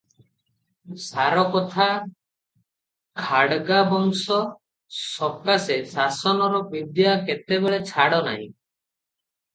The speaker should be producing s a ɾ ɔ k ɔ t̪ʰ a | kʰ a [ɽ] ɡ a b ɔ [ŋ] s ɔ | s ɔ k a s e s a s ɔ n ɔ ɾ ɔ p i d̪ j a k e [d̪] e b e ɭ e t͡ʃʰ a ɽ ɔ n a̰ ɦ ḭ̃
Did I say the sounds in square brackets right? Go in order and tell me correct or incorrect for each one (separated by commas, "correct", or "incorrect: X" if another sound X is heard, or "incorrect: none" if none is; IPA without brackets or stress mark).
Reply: correct, correct, incorrect: t̪